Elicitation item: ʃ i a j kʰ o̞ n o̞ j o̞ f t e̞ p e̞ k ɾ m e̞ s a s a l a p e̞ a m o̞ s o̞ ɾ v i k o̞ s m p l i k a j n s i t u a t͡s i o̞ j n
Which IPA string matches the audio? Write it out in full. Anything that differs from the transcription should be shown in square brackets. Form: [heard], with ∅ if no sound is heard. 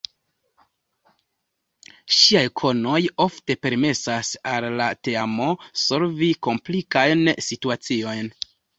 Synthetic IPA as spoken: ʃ i a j kʰ o̞ n o̞ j o̞ f t e̞ p e̞ [∅] ɾ m e̞ s a s a [lː] a [t] e̞ a m o̞ s o̞ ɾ v i k o̞ [∅] m p l i k a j n s i t u a t͡s i o̞ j n